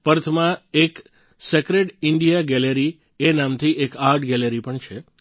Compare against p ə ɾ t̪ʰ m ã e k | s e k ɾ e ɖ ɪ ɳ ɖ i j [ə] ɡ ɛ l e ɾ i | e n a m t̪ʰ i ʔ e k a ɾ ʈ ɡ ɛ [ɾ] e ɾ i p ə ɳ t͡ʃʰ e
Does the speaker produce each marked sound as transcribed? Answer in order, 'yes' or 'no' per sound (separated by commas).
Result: no, no